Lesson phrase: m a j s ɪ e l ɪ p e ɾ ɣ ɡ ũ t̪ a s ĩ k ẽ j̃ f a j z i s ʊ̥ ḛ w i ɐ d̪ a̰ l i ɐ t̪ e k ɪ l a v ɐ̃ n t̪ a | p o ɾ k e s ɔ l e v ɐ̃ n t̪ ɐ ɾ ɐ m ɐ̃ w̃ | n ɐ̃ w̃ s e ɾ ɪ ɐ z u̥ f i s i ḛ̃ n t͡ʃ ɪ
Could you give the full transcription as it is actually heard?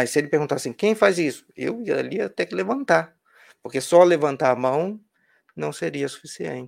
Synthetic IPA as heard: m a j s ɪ e l ɪ p e ɾ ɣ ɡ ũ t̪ a s ĩ k ẽ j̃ f a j z i s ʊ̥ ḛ w i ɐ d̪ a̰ l i ɐ t̪ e k ɪ l e v ɐ̃ n t̪ a | p o ɾ k e s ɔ l e v ɐ̃ n t̪ a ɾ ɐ m ɐ̃ w̃ | n ɐ̃ w̃ s e ɾ i ɐ s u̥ f i s i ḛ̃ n t͡ʃ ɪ